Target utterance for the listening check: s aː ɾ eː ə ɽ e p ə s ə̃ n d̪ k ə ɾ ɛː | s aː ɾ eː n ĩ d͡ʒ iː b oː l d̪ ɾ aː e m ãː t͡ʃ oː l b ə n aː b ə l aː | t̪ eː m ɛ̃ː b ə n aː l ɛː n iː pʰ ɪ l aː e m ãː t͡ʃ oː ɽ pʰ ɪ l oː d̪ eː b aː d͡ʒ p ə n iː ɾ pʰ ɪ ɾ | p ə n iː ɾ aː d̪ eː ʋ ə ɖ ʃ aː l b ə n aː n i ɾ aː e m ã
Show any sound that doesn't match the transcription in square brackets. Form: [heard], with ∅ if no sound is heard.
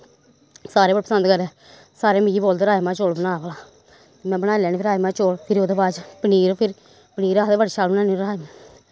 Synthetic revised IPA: s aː ɾ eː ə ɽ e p ə s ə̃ n d̪ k ə ɾ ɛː | s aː ɾ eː [m] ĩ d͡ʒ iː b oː l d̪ ɾ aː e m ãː t͡ʃ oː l b ə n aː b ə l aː | t̪ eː m ɛ̃ː b ə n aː l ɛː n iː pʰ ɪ [ɾ] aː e m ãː t͡ʃ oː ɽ pʰ ɪ [ɾ] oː d̪ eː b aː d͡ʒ p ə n iː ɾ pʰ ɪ ɾ | p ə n iː ɾ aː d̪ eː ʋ ə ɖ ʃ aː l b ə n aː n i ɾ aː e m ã